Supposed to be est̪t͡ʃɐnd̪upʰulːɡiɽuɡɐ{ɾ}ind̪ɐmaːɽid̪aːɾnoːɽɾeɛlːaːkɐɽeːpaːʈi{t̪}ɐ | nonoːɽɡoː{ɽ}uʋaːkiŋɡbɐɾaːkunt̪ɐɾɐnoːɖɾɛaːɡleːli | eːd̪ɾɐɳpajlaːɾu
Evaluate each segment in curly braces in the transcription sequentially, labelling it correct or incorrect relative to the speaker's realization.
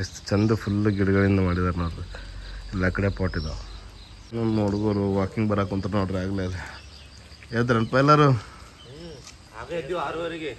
incorrect: ɭ, incorrect: d̪, incorrect: ɾ

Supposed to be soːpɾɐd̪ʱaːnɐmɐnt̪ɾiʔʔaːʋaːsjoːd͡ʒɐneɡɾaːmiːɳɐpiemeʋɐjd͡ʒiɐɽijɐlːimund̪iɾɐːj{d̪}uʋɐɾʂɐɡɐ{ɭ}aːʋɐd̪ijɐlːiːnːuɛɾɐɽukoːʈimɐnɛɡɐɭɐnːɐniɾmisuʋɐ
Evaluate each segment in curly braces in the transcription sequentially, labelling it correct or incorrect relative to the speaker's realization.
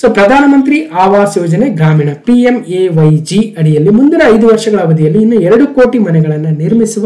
correct, correct

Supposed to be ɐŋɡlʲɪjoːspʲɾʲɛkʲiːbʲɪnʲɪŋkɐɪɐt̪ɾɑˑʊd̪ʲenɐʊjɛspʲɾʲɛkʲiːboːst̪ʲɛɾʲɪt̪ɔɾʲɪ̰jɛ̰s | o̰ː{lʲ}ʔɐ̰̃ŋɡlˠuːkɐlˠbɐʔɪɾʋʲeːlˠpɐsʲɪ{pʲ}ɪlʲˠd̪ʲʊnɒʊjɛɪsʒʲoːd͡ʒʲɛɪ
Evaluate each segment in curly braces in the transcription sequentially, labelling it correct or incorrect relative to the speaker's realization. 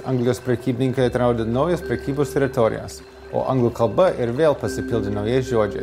incorrect: none, correct

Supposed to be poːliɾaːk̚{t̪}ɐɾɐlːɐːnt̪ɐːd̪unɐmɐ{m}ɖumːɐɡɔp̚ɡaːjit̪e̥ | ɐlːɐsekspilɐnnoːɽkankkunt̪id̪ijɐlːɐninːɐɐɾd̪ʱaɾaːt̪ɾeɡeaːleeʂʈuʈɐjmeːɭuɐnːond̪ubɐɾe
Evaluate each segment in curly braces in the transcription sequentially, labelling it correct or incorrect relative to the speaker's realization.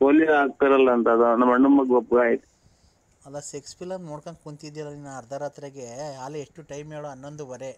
correct, incorrect: ɳ

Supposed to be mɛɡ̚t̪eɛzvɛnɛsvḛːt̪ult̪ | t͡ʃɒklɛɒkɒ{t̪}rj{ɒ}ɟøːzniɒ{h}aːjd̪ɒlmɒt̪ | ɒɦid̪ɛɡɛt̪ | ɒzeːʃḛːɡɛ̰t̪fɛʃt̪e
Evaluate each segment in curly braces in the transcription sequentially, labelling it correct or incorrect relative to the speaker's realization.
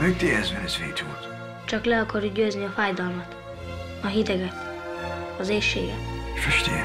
incorrect: none, incorrect: u, incorrect: f

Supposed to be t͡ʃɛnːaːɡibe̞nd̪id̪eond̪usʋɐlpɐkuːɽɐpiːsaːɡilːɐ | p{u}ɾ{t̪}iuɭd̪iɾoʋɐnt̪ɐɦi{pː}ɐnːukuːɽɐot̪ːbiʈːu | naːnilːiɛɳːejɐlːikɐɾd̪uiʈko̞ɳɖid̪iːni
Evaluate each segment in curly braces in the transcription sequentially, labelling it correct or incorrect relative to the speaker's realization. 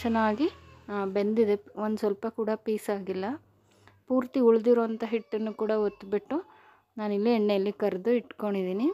incorrect: uː, correct, incorrect: ʈː

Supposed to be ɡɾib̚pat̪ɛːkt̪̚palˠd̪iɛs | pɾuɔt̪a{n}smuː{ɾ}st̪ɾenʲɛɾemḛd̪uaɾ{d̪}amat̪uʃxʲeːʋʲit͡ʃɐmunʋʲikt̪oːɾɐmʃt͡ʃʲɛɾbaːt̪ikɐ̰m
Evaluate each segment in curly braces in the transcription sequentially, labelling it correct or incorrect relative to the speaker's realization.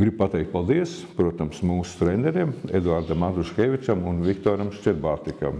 incorrect: m, incorrect: none, correct

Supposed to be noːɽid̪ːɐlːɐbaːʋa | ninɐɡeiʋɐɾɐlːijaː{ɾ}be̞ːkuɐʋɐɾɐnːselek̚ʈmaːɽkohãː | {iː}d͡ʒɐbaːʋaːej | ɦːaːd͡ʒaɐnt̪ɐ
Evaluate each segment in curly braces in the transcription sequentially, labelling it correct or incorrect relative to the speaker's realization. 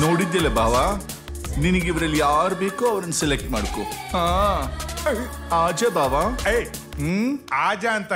correct, incorrect: aː

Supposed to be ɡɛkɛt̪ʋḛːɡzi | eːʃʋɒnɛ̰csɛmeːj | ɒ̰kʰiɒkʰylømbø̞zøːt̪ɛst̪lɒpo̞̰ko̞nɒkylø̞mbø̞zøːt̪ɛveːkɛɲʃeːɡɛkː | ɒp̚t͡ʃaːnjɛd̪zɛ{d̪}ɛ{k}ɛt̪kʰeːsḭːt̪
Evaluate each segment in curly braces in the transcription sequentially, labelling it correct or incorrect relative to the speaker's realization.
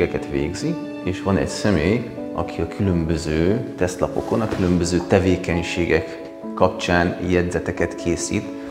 incorrect: t̪, correct

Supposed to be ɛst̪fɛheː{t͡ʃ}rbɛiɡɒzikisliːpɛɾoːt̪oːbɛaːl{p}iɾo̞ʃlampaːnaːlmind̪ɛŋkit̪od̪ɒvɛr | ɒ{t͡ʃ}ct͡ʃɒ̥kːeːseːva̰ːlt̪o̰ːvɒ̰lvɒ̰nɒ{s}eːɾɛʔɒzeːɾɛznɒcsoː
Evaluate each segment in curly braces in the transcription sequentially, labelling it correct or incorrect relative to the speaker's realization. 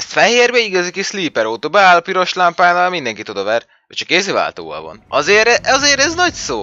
incorrect: none, correct, incorrect: none, incorrect: z

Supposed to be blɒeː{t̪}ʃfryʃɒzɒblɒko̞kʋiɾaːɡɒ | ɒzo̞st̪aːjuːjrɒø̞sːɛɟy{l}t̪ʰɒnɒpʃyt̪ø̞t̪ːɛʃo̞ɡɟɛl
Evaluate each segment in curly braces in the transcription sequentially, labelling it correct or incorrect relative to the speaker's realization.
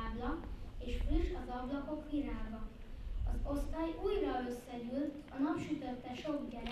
incorrect: none, correct

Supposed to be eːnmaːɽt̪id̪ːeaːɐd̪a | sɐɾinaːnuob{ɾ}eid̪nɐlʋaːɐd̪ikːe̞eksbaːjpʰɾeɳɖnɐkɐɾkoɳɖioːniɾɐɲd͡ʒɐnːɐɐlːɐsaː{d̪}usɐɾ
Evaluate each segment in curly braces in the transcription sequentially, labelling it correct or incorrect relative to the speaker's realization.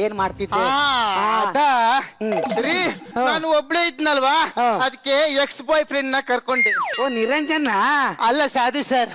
incorrect: ɭ, correct

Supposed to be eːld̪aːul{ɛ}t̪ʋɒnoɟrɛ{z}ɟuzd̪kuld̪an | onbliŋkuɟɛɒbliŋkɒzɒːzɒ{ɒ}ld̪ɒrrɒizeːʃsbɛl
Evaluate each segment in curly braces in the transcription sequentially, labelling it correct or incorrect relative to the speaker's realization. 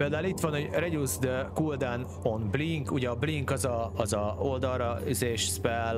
incorrect: i, incorrect: none, incorrect: o

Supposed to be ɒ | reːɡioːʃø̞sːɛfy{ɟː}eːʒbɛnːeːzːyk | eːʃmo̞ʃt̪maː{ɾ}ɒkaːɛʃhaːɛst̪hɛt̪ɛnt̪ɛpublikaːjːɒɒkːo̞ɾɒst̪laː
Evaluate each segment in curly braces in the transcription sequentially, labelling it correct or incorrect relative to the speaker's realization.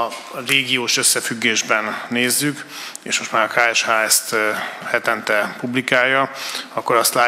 incorrect: ɡː, correct

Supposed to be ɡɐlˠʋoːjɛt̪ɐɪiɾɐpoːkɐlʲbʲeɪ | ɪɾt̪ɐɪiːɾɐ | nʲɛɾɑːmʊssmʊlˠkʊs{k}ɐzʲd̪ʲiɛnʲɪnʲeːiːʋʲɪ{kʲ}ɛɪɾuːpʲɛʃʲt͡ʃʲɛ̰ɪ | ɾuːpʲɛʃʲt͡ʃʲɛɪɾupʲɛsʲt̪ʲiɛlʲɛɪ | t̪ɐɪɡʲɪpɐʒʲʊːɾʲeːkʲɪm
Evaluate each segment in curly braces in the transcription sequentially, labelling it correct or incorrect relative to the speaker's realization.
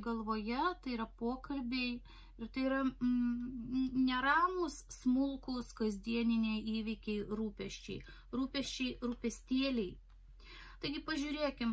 correct, correct

